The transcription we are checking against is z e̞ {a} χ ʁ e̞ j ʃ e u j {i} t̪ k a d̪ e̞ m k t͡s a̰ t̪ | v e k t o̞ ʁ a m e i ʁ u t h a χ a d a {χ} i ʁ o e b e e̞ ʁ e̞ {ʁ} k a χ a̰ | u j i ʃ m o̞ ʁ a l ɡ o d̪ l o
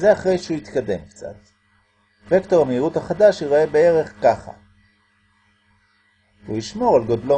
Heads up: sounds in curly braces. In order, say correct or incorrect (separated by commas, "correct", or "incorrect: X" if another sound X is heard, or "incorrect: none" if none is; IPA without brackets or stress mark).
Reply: correct, correct, incorrect: ʃ, incorrect: χ